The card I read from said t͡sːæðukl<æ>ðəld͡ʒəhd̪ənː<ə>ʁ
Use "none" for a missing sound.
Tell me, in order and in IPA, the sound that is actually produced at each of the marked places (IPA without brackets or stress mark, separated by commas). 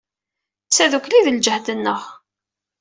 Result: i, ə